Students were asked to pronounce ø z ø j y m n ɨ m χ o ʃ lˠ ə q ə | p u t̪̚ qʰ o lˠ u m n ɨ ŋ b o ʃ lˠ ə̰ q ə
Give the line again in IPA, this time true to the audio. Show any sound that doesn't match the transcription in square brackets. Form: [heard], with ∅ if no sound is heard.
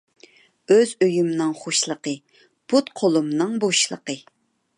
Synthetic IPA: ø z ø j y m n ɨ [ŋ] χ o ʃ lˠ ə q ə | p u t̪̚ qʰ o lˠ u m n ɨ ŋ b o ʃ lˠ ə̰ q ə